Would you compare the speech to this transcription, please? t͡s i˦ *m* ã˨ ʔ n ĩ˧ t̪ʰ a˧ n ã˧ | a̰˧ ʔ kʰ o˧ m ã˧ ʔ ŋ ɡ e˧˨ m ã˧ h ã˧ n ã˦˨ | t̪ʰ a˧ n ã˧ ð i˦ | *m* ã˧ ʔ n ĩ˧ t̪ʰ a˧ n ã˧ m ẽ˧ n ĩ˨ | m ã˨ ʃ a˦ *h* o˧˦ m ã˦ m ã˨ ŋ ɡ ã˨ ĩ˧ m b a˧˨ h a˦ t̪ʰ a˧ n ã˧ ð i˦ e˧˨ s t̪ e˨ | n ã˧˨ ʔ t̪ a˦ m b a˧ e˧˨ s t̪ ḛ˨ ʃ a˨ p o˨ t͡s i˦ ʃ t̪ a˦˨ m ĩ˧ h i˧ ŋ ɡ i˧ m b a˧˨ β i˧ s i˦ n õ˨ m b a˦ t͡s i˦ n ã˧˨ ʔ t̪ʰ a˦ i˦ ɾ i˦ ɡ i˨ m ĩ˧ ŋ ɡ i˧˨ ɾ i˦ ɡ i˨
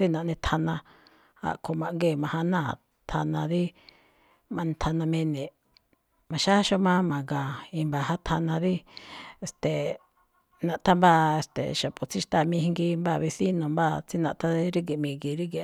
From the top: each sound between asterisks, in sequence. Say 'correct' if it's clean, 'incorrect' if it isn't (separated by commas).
incorrect, correct, incorrect